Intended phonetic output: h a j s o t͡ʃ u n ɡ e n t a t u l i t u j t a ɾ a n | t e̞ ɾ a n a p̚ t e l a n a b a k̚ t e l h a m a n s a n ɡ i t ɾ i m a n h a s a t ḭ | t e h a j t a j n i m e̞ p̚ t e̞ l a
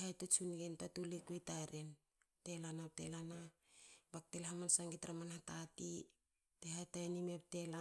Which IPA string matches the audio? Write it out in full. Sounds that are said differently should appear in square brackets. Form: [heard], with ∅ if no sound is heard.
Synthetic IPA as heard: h a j [t] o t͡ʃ u n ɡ e n t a t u l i [k] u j t a ɾ [e] n | t e̞ [l] a n a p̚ t e l a n a b a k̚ t e l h a m a n s a [ŋ] ɡ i t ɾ [a] m a n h a [t] a t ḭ | t e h a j t a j n i m e̞ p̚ t e̞ l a